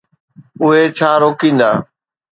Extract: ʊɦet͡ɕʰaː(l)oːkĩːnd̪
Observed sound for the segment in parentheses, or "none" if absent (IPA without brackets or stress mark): ɾ